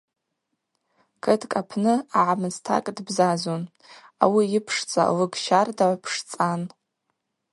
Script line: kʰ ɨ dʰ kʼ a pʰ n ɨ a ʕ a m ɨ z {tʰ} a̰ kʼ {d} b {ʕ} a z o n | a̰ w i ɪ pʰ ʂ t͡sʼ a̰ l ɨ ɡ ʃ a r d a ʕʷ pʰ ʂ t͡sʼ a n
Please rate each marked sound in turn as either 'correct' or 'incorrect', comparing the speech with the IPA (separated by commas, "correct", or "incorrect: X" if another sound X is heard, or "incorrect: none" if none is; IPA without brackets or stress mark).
correct, correct, incorrect: z